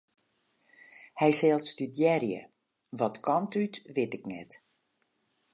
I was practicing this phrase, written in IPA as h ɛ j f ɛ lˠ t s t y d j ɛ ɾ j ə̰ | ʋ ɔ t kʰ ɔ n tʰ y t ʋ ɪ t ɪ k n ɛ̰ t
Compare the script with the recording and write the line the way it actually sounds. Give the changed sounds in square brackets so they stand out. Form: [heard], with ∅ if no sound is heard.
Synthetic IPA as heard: h ɛ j [s] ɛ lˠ t s t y d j ɛ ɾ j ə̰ | ʋ ɔ t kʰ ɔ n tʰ y t ʋ ɪ t ɪ k n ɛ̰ t